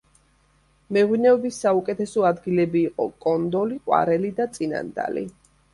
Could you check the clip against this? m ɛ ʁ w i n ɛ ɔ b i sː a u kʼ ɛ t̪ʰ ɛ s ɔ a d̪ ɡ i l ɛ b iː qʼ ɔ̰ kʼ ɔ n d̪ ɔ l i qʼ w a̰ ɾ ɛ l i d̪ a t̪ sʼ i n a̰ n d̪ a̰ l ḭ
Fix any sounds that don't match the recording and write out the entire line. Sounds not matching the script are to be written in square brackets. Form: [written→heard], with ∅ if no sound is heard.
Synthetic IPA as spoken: m ɛ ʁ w i n ɛ ɔ b i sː a u kʼ ɛ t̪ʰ ɛ s ɔ a d̪ ɡ i l ɛ b iː qʼ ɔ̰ kʼ ɔ n d̪ ɔ l i qʼ w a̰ ɾ ɛ l i d̪ a t̪ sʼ i n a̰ n d̪ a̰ l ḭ